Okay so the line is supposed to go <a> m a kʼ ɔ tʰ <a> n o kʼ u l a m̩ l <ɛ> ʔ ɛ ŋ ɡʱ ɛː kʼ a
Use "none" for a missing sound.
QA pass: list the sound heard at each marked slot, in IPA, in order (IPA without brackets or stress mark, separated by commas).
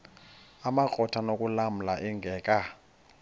a, a, a